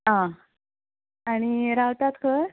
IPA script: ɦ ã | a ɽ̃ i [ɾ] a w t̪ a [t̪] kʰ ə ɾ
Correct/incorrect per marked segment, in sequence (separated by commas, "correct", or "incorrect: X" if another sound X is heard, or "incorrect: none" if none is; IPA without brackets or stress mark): correct, correct